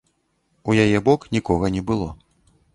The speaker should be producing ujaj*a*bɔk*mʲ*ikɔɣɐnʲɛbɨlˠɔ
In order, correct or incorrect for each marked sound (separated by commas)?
incorrect, incorrect